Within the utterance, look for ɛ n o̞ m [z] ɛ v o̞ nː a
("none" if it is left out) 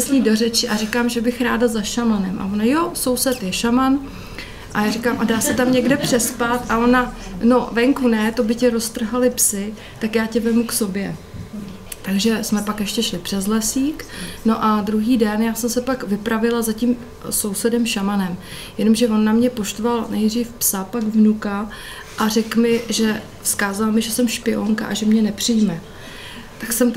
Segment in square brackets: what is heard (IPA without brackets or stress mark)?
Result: ʒ